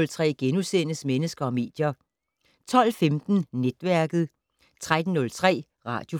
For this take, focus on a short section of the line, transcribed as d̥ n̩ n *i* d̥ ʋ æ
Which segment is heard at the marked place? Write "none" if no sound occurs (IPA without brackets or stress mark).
e